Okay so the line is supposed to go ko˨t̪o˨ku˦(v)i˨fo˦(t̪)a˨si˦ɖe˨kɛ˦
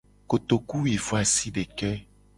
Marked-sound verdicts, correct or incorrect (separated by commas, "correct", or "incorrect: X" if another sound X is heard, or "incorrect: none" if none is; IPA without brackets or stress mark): incorrect: w, incorrect: none